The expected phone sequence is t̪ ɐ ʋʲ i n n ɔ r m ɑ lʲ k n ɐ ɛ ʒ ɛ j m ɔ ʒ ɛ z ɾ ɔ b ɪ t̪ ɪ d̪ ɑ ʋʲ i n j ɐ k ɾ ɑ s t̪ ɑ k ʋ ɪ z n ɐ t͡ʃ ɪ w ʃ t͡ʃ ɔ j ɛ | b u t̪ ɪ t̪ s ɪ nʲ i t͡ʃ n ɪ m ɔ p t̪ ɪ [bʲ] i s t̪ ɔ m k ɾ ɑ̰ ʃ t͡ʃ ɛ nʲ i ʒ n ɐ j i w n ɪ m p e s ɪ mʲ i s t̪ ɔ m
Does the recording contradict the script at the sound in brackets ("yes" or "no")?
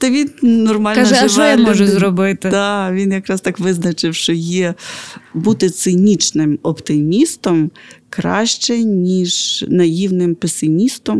yes